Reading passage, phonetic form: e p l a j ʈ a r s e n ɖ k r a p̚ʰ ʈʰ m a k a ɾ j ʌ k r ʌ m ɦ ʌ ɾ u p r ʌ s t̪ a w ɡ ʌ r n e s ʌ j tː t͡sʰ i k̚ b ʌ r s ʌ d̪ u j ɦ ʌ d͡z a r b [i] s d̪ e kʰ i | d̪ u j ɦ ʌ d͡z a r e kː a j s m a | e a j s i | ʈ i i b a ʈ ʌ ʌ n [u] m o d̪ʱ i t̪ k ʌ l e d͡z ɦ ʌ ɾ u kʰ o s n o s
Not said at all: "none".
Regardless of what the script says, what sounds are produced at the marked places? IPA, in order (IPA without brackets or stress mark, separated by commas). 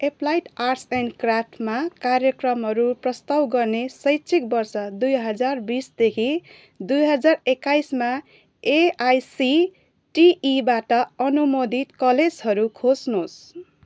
i, u